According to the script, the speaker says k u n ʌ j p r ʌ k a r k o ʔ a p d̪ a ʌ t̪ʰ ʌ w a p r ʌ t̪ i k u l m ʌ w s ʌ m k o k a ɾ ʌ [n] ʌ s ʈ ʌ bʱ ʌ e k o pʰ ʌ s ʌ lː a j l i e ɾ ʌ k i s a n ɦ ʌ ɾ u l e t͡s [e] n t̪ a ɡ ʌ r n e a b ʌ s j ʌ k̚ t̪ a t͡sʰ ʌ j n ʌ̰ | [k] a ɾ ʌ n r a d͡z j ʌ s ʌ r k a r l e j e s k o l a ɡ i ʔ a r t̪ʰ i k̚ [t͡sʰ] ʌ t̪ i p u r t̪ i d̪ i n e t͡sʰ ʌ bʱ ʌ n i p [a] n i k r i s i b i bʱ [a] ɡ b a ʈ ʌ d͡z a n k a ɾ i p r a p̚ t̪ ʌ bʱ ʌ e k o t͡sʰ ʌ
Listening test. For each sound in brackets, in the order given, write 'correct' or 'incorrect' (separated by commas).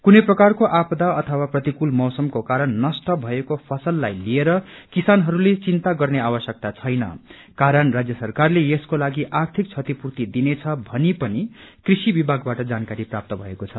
incorrect, incorrect, correct, correct, incorrect, correct